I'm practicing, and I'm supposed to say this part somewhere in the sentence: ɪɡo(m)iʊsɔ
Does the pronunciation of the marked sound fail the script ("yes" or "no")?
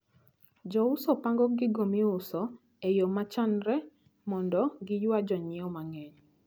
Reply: no